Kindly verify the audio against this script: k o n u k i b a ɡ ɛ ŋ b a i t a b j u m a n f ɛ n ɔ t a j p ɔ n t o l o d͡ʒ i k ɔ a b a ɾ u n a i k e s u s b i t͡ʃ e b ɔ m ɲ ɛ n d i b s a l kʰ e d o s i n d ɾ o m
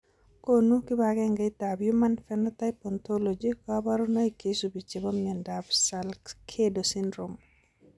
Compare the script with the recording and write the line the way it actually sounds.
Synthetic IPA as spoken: k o n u k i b a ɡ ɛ ŋ ɡ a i t a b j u m a n f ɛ n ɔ t a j p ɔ n t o l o d͡ʒ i k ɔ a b a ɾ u n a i k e s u b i t͡ʃ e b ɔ m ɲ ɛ n d a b s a l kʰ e d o s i n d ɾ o m

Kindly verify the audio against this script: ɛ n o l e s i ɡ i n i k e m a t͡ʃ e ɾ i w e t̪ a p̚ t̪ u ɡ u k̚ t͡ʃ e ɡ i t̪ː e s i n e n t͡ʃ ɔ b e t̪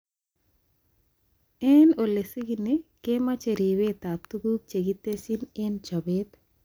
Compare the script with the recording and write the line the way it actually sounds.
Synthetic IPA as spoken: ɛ n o l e s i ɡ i n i k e m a t͡ʃ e ɾ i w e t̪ a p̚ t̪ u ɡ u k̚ t͡ʃ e ɡ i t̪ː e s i n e n t͡ʃ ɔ b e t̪

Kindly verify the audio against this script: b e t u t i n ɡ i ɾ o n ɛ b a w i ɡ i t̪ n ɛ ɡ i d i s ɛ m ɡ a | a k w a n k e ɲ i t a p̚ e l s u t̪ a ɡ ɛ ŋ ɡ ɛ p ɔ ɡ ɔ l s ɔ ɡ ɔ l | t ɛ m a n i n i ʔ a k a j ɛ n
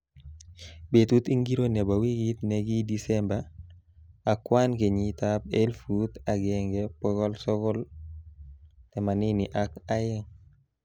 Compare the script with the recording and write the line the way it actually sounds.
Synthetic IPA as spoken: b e t u t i ŋ ɡ i ɾ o n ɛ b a w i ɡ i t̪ n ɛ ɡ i d i s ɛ m b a | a k w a n k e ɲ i t a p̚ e l f u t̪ a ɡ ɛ ŋ ɡ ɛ p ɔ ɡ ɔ l s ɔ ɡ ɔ l | t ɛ m a n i n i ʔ a k a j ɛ ŋ

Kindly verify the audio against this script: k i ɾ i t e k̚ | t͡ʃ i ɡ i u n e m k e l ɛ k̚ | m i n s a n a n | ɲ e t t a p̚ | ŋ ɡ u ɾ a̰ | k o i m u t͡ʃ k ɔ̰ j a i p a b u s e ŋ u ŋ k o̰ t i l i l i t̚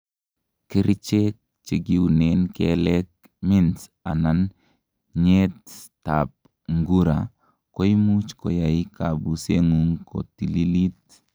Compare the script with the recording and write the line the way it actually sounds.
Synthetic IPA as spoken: k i ɾ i t͡ʃ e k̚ | t͡ʃ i ɡ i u n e n k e l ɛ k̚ | m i n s a n a n | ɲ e t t a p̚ | ŋ ɡ u ɾ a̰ | k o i m u t͡ʃ k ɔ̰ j a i k a b u s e ŋ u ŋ k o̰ t i l i l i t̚

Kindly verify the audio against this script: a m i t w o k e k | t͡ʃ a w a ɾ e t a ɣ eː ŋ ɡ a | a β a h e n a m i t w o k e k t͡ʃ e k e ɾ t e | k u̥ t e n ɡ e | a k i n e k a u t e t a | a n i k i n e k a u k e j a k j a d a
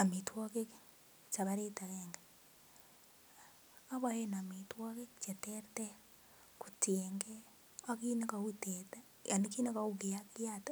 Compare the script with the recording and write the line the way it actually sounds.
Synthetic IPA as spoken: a m i t w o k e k | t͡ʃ a β a ɾ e t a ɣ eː ŋ ɡ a | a β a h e n a m i t w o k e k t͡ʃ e t e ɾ t e | k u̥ t e ŋ ɡ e | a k i n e k a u t e t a | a n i k i n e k a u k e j a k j a t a

